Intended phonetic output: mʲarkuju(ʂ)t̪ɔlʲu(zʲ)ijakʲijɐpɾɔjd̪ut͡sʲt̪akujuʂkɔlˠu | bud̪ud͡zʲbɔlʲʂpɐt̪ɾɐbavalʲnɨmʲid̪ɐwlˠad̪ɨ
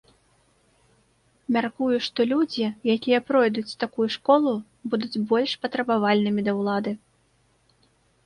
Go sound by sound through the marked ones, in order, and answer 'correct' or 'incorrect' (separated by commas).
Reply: correct, incorrect